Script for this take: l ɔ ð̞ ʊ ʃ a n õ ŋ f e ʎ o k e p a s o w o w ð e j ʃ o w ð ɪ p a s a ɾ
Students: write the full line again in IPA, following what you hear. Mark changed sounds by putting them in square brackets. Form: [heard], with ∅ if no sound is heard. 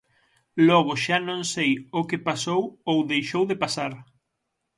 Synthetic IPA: l ɔ [ɣ̞] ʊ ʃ a n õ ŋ [s] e [j] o k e p a s o w o w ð e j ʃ o w ð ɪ p a s a ɾ